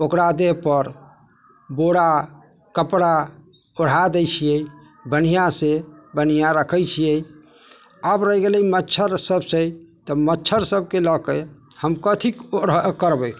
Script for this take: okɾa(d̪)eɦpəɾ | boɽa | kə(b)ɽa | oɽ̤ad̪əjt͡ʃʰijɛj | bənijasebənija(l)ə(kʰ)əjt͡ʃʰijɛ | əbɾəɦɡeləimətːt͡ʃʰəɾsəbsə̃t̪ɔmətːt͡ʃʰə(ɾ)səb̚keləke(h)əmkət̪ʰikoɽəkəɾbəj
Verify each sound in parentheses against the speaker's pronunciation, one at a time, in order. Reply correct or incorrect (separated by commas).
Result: correct, incorrect, incorrect, correct, correct, correct